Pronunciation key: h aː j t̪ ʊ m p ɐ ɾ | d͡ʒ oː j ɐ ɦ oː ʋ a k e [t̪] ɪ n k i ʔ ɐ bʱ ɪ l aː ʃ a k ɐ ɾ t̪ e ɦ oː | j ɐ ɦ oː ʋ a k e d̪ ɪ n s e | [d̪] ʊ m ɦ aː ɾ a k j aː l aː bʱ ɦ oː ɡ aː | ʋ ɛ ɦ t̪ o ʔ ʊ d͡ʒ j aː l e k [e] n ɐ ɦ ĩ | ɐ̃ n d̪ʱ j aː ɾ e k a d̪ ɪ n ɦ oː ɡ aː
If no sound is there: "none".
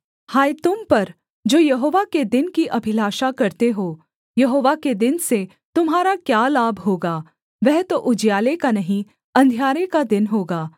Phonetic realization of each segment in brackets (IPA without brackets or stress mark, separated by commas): d̪, t̪, a